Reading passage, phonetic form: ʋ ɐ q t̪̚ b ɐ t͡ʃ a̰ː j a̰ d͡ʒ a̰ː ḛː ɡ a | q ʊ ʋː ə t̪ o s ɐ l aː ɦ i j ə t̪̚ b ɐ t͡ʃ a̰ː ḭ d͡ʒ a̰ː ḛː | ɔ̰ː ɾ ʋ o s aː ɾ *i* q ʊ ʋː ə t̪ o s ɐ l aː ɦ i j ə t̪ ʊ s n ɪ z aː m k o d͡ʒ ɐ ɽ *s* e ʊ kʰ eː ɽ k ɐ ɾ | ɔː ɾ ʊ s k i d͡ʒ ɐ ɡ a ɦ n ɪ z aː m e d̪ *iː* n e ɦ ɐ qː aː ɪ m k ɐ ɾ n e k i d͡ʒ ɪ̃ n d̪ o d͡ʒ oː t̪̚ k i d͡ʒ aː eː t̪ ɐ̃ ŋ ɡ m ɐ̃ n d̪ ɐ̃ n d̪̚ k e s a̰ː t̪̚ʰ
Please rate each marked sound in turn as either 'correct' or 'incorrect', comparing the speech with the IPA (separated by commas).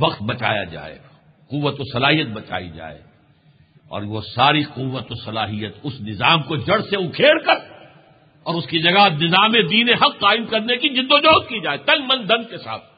correct, correct, correct